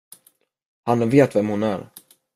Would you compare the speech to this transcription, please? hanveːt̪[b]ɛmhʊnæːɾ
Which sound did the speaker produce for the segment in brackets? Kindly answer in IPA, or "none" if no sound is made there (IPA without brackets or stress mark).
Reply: v